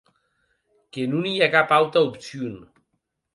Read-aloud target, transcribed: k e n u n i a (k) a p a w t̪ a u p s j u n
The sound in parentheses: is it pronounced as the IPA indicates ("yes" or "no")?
yes